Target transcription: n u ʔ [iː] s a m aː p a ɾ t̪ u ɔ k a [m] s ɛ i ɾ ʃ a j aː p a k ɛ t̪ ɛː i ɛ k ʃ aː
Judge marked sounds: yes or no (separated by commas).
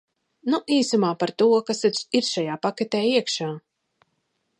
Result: yes, no